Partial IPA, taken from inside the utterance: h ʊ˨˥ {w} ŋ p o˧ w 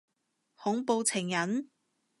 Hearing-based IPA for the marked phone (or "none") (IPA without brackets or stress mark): none